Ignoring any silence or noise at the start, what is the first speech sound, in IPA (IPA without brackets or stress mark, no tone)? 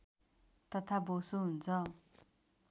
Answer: t̪